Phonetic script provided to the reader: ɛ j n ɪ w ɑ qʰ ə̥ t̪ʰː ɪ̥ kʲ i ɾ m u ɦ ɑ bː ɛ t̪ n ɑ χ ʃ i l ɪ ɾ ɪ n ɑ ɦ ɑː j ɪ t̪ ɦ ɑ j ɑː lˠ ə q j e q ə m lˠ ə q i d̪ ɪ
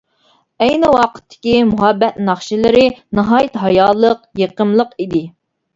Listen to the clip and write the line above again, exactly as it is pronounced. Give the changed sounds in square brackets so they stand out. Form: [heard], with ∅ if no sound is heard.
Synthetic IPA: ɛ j n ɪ w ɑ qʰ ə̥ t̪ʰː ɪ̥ kʲ i [∅] m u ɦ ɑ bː ɛ t̪ n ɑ χ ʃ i l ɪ ɾ ɪ n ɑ ɦ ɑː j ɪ t̪ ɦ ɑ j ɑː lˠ ə q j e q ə m lˠ ə q i d̪ ɪ